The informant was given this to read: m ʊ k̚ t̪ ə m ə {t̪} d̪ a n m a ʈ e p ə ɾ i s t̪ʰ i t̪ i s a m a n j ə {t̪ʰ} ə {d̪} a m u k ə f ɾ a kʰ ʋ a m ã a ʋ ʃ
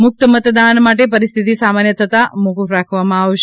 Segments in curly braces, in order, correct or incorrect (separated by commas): correct, correct, incorrect